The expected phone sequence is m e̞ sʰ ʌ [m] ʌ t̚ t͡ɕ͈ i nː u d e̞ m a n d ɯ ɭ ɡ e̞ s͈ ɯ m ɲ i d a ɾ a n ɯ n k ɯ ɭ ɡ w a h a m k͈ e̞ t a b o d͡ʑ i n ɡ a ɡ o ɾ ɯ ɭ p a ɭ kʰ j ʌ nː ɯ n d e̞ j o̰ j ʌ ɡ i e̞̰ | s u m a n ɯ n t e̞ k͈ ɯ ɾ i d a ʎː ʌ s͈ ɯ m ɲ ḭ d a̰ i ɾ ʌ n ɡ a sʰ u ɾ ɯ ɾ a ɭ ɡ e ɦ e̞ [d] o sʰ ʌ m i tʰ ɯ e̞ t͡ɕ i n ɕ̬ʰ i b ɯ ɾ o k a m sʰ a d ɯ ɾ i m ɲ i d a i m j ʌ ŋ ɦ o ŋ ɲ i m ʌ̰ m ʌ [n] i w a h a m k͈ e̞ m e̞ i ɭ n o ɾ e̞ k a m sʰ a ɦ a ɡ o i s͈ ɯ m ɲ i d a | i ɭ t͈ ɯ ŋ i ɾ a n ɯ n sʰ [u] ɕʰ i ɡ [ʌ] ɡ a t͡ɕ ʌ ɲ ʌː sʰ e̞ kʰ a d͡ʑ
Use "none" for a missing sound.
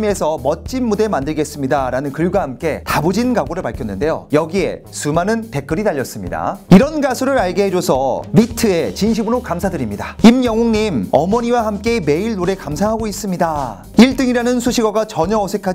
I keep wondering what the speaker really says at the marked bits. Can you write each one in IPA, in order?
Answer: m, d͡ʑ, ɲ, u, ʌ

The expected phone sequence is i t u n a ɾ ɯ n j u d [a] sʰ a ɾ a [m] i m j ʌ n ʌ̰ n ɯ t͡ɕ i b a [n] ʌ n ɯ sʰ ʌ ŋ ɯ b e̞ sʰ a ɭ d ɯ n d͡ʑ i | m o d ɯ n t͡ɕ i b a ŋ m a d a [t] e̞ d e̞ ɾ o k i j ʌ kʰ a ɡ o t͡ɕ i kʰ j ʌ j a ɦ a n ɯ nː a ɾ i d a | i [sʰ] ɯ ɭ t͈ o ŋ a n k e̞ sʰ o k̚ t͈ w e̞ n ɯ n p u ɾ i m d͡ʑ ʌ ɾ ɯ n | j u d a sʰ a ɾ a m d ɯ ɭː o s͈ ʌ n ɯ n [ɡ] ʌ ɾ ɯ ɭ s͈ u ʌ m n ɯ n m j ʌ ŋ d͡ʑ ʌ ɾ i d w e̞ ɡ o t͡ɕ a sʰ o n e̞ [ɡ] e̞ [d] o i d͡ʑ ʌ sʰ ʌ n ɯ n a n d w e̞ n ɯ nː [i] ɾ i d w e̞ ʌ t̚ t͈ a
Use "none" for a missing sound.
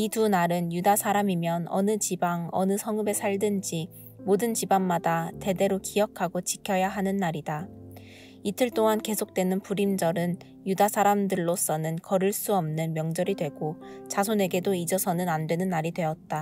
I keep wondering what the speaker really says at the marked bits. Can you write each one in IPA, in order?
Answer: a, m, ŋ, t, tʰ, k, ɡ, d, a

